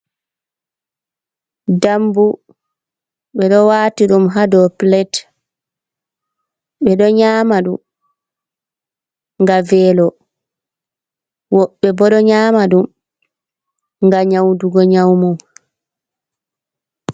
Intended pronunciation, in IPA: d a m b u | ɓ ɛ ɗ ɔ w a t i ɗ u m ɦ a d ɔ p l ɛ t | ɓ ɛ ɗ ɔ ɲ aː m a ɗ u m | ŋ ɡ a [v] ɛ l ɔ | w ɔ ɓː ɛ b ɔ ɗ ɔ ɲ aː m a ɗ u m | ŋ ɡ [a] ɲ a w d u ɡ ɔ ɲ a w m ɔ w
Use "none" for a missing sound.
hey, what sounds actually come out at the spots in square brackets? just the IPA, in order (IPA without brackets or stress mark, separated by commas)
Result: v, a